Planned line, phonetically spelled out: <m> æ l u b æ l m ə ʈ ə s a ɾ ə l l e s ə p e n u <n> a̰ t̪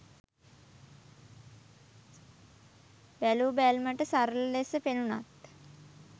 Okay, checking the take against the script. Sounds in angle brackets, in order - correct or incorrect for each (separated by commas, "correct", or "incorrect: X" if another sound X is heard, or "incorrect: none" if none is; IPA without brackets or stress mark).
incorrect: b, correct